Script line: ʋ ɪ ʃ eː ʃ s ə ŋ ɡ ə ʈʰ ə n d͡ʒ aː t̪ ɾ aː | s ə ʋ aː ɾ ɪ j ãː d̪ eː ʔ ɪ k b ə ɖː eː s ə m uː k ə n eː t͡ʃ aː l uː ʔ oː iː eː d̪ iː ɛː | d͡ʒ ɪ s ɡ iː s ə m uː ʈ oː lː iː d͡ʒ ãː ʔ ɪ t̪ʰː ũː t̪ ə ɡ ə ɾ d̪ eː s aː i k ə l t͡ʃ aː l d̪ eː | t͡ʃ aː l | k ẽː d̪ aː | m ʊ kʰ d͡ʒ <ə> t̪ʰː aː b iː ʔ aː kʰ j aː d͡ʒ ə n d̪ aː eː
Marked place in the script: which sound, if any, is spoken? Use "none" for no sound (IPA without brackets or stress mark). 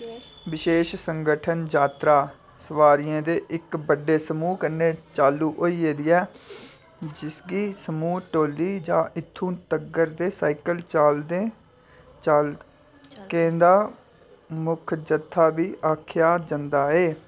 ə